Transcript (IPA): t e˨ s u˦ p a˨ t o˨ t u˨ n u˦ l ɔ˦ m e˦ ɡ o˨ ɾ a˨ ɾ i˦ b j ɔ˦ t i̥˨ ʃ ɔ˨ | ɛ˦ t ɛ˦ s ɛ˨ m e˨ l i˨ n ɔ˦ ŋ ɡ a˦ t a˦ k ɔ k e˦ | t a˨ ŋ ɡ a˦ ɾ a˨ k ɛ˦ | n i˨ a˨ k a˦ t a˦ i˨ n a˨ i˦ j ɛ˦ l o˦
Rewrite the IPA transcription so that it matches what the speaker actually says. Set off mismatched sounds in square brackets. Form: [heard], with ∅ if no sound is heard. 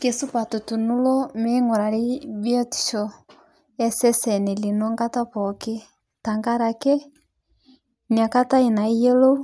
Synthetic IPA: [k] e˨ s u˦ p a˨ t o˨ t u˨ n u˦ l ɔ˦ m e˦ [ŋ] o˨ ɾ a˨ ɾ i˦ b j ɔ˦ t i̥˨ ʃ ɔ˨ | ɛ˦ [s] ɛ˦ s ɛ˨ [n] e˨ l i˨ n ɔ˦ ŋ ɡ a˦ t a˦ [p] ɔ k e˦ | t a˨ ŋ ɡ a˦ ɾ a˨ k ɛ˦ | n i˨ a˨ k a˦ t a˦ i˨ n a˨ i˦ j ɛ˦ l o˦

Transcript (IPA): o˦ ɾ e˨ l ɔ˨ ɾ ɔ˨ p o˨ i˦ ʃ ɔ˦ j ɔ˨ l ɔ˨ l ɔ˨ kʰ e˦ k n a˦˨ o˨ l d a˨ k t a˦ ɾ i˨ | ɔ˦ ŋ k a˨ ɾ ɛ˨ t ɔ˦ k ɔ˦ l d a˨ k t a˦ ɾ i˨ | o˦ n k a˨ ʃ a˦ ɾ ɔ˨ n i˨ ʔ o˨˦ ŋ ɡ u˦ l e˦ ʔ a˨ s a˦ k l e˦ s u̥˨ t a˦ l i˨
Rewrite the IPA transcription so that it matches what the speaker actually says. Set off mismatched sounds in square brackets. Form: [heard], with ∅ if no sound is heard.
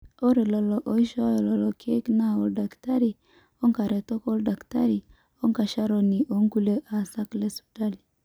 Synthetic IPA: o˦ ɾ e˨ l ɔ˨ [l] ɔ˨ [ʔ] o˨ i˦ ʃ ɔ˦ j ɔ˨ l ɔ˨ l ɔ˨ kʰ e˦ k n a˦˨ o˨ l d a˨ k t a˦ ɾ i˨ | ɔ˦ ŋ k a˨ ɾ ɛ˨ t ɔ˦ k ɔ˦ l d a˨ k t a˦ ɾ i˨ | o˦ [ŋ] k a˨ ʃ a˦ ɾ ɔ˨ n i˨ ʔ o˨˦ ŋ ɡ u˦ l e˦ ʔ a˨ s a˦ k l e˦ s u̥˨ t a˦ l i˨

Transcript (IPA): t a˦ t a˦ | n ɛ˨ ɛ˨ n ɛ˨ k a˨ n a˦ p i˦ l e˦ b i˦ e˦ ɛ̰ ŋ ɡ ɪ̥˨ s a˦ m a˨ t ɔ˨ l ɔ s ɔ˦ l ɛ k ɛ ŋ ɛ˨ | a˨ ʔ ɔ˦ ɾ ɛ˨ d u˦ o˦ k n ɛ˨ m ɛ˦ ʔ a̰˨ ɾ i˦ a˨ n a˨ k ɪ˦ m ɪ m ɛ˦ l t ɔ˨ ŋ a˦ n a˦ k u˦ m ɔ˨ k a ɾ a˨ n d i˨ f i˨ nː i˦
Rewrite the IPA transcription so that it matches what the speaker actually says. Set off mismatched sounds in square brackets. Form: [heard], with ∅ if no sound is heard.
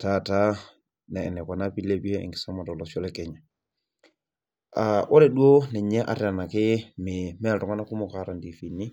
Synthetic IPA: t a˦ t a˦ | n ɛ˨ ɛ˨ n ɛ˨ k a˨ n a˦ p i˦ l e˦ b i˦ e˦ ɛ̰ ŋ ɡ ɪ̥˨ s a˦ m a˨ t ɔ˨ l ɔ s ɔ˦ l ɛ k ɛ [ɲ] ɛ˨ | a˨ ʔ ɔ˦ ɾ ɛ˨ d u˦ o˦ [∅] n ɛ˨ [ɲ] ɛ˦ ʔ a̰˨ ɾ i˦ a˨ n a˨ k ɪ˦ m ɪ m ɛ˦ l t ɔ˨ ŋ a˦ n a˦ k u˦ m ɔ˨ k a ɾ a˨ n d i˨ f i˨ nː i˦

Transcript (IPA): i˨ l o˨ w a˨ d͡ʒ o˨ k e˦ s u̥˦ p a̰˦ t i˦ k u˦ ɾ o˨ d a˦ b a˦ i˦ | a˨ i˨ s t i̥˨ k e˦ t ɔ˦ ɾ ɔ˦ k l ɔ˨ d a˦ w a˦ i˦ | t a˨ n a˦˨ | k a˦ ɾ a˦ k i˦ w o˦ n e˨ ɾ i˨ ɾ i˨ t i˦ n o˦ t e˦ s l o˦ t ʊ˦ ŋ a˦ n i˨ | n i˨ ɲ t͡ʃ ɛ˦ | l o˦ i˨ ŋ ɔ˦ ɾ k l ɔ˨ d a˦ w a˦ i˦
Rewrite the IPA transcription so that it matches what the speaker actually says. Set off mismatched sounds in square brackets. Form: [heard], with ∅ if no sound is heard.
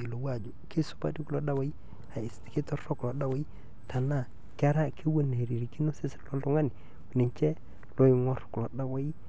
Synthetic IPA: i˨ l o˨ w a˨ d͡ʒ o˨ k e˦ s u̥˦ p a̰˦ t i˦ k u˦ [l] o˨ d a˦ [w] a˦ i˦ | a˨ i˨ s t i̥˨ k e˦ t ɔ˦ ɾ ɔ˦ k l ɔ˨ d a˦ w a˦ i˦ | t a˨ n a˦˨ | k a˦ ɾ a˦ k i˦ w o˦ n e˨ ɾ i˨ ɾ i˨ [k] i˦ n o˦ [s] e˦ s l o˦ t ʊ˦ ŋ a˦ n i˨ | n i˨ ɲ t͡ʃ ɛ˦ | l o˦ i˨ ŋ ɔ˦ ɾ k l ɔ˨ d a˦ w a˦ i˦

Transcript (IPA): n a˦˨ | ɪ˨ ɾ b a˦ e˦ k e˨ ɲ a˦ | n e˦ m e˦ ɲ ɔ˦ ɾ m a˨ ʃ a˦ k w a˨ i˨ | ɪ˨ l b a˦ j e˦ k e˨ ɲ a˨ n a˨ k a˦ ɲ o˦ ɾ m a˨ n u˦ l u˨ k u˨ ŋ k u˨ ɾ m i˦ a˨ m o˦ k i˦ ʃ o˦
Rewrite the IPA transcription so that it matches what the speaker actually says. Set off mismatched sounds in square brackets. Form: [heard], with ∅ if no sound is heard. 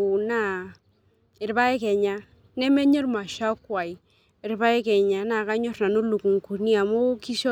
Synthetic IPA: n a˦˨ | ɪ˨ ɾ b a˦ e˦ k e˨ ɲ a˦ | n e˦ m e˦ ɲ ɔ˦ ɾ m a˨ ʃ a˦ k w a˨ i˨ | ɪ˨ [ɾ] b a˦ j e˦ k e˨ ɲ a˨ n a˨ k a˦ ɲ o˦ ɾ [n] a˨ n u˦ l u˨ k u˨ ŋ k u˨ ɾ [n] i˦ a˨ m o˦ k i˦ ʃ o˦

